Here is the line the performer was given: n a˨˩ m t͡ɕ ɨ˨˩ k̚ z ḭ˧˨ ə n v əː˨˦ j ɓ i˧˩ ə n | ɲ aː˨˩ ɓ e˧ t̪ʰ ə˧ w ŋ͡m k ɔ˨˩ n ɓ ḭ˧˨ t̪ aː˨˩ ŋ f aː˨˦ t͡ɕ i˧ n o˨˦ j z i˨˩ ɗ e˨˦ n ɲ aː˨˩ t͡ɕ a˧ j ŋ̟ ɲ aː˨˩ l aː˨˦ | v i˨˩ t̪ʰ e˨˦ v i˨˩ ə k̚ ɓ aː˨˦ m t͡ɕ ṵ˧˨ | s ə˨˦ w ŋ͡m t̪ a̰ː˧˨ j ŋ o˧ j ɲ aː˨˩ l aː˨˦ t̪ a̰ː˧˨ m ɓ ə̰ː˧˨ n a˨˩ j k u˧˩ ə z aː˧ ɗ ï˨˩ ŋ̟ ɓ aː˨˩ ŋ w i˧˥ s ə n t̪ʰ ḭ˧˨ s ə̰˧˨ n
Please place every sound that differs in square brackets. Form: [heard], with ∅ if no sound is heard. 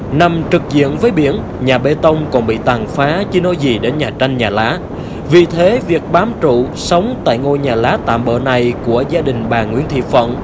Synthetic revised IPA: n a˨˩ m t͡ɕ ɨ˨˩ k̚ z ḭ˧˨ ə n v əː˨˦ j ɓ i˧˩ ə n | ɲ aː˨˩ ɓ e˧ [t̪] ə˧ w ŋ͡m k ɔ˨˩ n ɓ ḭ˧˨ t̪ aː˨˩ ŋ f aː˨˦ t͡ɕ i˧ n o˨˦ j z i˨˩ ɗ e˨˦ n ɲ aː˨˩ t͡ɕ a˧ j ŋ̟ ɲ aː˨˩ l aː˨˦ | v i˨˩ t̪ʰ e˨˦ v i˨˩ ə k̚ ɓ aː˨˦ m t͡ɕ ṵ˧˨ | s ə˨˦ w ŋ͡m t̪ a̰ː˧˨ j ŋ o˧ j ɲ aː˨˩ l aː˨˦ t̪ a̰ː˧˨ m ɓ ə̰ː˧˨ n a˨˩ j k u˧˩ ə z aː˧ ɗ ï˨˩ ŋ̟ ɓ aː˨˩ ŋ w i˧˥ [∅] ə n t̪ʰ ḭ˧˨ [f] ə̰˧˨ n